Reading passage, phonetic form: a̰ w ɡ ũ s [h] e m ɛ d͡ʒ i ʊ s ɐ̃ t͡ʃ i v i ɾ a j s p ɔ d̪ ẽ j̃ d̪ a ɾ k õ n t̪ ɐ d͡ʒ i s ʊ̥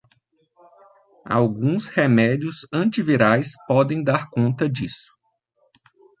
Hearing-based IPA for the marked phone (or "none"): h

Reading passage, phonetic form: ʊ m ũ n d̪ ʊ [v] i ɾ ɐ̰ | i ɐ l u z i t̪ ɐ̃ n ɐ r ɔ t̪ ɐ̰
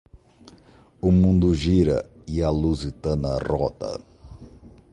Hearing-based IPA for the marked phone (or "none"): ʒ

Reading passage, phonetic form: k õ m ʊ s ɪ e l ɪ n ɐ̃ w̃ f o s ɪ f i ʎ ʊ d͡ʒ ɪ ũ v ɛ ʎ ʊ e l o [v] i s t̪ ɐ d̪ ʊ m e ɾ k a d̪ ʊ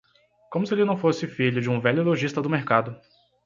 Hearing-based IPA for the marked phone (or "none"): ʒ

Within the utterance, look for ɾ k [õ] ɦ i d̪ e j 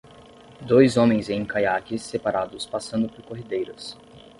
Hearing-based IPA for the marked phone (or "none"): o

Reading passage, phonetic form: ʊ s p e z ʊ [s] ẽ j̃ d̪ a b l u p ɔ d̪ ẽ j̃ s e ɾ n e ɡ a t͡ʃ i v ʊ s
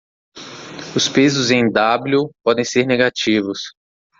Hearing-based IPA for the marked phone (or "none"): z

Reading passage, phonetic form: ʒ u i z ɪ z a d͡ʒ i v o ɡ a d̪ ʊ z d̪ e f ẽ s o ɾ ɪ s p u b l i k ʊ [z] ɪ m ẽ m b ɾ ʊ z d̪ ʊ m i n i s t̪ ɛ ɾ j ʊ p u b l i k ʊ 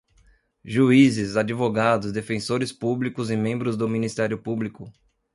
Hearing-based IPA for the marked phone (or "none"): z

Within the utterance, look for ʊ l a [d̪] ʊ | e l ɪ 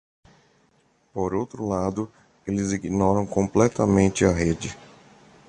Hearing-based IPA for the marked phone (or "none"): d̪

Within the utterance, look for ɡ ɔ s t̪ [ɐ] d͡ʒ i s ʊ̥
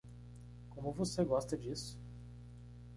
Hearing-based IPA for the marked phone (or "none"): ɐ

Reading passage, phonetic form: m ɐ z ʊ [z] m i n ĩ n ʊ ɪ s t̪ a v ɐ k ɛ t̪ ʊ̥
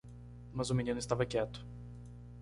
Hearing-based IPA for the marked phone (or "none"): none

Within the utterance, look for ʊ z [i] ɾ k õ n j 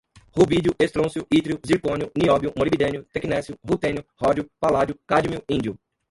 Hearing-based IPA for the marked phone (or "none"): i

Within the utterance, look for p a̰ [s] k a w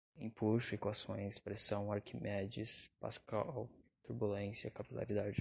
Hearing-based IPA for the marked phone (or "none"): s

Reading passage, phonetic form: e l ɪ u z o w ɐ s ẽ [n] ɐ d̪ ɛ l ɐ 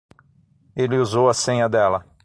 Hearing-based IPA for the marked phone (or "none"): ɲ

